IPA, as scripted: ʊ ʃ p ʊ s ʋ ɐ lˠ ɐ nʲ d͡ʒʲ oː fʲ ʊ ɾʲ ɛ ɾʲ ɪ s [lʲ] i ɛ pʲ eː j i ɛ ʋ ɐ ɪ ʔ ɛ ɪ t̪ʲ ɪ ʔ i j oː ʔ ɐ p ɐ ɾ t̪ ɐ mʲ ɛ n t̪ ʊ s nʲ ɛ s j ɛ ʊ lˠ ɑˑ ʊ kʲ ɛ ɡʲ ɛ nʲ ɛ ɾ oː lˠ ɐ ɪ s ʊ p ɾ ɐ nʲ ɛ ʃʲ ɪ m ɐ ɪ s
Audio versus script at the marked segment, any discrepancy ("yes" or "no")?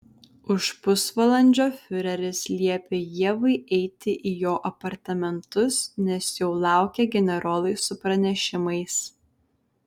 no